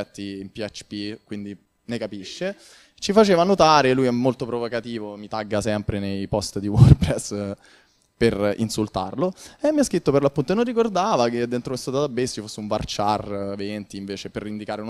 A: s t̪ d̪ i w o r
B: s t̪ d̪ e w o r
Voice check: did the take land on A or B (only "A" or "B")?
A